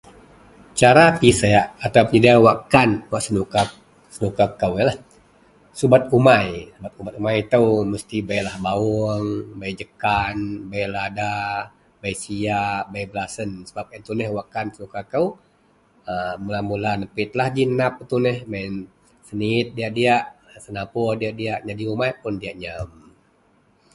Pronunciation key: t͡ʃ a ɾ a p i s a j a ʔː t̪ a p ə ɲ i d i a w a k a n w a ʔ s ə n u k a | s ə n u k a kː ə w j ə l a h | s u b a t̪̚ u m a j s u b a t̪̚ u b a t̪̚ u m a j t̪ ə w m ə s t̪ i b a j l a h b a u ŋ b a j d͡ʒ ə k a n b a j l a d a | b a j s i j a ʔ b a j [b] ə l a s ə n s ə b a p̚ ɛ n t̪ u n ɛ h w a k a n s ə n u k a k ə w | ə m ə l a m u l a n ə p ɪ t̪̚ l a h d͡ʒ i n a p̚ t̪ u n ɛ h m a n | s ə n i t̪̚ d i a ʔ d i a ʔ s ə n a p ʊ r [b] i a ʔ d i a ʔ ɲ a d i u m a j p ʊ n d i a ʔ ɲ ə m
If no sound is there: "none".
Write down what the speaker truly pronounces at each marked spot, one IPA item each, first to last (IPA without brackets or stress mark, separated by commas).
b, d